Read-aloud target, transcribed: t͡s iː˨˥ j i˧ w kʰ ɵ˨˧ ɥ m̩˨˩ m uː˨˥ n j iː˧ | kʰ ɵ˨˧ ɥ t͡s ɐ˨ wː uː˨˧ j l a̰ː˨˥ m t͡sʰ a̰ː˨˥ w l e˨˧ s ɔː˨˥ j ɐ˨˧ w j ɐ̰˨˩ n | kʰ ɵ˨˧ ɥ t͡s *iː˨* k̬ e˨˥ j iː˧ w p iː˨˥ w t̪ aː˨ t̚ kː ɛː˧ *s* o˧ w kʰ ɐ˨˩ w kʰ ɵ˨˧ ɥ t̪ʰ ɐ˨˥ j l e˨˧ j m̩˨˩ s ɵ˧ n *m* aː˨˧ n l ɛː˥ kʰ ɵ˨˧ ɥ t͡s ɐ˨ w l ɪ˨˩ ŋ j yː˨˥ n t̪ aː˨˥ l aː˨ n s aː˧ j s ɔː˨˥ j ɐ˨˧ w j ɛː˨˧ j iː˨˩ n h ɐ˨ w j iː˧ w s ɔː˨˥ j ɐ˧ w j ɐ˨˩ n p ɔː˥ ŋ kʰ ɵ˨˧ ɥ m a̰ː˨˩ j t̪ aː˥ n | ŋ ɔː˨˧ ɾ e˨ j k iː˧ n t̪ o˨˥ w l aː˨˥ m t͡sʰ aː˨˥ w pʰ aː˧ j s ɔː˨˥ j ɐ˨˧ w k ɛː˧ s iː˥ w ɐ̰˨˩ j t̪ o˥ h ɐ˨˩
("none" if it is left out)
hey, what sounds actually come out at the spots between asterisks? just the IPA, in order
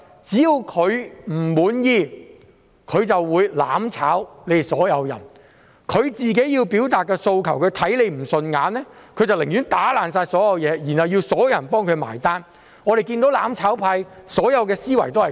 iː˨, s, ŋ

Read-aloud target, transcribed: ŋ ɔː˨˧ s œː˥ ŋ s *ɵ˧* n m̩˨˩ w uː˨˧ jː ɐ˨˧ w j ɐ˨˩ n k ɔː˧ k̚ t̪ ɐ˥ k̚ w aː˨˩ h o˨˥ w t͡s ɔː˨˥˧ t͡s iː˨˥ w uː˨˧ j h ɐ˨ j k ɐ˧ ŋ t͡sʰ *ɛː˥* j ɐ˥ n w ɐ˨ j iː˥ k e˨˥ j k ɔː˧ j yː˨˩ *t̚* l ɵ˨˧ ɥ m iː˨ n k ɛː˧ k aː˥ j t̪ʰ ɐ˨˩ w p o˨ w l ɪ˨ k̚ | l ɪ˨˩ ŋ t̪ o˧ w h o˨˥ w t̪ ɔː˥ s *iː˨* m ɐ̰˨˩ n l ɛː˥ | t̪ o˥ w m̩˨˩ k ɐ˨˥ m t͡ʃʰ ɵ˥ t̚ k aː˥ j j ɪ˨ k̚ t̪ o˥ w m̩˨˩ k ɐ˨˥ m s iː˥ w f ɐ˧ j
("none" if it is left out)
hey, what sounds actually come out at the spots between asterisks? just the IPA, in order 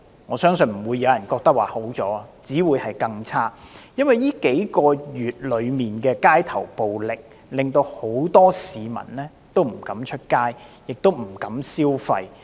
ɵ˧, aː˥, t̚, iː˨

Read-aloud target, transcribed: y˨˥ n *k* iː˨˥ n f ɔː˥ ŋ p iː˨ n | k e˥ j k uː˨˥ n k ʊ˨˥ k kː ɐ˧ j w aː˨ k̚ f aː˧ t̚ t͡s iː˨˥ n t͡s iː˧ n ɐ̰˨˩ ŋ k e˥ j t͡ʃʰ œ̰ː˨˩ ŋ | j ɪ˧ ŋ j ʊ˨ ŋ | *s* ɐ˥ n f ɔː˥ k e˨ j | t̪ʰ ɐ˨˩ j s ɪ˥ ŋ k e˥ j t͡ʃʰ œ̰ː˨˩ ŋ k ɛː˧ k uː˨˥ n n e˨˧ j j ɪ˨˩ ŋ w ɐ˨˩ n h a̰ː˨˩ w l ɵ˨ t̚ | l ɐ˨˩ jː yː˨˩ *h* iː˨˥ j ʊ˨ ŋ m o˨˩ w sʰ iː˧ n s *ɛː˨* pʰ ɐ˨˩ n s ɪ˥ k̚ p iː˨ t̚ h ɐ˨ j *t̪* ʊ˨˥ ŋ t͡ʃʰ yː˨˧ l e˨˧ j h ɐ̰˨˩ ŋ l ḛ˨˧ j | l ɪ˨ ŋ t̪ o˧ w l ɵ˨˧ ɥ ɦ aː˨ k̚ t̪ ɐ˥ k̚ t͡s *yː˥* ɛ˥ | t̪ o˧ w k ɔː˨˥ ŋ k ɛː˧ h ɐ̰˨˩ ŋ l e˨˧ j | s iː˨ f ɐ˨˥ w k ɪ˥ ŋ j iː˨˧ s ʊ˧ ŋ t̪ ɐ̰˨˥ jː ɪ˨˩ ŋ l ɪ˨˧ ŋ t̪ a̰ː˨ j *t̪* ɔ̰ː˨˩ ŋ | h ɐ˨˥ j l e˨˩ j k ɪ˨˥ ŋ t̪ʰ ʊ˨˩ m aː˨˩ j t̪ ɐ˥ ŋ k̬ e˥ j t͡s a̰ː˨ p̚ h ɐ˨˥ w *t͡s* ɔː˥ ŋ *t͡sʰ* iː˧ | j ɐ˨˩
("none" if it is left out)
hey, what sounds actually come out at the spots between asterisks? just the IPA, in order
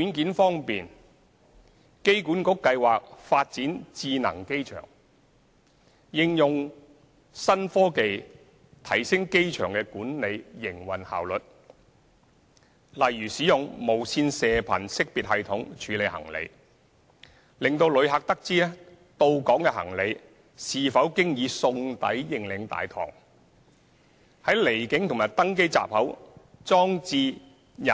k, s, s, ɛː˨, t̪ʰ, iː˥, t̪ʰ, t͡s, t͡s

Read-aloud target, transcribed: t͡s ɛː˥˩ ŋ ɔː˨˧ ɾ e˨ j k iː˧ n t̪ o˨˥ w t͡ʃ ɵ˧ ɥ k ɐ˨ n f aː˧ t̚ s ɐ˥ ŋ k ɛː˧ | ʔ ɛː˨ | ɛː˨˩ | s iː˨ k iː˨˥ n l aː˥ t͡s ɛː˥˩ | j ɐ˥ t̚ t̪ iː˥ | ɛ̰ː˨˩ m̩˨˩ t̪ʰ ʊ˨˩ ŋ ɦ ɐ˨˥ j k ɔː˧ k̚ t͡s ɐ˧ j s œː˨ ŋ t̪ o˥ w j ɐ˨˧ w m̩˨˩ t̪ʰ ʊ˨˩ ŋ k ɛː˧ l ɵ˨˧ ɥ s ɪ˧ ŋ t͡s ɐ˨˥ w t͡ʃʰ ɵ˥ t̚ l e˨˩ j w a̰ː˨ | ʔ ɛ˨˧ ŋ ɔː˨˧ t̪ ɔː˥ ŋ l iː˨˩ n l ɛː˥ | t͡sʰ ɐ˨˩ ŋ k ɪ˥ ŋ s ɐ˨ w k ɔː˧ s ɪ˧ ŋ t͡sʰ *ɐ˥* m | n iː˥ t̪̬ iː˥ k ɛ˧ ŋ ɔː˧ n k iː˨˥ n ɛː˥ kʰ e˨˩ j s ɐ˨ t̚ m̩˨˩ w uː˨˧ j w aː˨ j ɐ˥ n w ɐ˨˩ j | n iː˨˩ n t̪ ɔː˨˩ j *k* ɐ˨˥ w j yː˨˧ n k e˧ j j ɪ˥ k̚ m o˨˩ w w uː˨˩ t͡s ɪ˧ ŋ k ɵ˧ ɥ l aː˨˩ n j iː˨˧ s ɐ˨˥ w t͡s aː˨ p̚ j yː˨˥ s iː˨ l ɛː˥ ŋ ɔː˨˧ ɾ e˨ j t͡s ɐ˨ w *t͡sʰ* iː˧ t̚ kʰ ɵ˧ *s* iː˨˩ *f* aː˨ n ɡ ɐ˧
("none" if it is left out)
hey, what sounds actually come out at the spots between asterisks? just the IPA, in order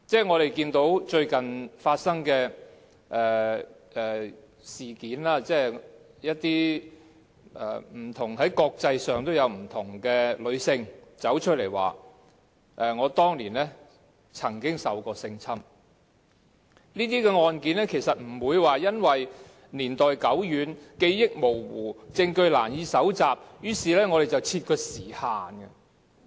ɐ˥, k, t͡sʰ, s, h

